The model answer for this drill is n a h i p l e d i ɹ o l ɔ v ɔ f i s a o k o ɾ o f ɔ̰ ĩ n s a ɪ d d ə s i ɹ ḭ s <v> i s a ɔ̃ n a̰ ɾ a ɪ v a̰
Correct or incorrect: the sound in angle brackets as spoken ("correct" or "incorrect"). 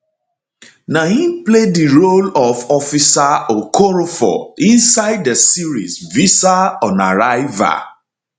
correct